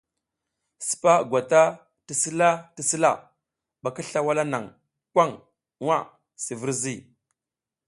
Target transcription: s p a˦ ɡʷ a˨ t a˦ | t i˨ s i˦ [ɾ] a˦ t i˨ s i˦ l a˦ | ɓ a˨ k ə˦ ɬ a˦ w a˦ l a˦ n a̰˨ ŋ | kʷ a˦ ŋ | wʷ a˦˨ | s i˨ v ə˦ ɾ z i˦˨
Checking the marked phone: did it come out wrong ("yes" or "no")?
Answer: yes